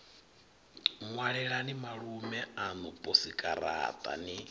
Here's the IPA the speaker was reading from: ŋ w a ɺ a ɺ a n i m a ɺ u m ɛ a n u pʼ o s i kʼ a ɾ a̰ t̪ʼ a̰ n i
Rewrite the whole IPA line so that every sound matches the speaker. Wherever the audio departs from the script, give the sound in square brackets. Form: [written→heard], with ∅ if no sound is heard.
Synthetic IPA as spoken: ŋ w a ɺ [a→ɛ] ɺ a n i m a ɺ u m ɛ a n u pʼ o s i kʼ a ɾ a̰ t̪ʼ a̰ n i